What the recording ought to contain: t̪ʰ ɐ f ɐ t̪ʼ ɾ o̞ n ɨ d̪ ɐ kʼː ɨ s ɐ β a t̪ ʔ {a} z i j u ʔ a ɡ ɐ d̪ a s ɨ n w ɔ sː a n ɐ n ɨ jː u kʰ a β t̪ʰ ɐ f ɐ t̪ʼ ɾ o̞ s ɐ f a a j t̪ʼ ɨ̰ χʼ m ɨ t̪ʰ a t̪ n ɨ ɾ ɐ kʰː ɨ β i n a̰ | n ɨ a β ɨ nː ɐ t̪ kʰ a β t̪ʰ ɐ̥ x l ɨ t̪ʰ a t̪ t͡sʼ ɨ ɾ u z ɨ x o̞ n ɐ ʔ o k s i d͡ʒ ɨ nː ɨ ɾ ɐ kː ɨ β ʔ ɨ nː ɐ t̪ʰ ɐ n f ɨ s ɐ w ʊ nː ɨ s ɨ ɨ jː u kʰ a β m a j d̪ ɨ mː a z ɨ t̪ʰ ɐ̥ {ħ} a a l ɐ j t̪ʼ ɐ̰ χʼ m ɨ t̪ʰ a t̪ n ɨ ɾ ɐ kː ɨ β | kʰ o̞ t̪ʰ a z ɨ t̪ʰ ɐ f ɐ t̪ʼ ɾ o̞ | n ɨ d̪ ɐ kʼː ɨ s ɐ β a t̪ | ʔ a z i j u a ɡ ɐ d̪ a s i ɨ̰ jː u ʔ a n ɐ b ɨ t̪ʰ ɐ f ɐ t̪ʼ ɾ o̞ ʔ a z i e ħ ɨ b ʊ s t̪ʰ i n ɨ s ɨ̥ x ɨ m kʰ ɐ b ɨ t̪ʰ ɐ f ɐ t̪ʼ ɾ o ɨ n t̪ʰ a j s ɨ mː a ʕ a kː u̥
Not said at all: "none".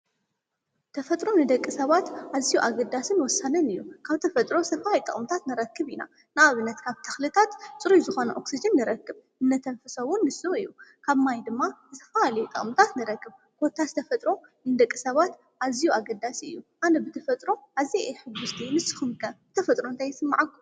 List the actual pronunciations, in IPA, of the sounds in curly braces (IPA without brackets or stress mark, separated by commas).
a, f